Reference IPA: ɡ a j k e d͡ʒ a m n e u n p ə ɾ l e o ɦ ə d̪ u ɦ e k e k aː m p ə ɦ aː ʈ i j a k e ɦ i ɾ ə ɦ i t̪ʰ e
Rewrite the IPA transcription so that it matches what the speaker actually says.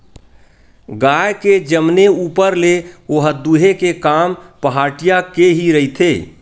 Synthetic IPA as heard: ɡ a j k e d͡ʒ ə m n e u p ə ɾ l e o ɦ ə d̪ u ɦ e k e k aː m p ə ɦ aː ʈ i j a k e ɦ i ɾ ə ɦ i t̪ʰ e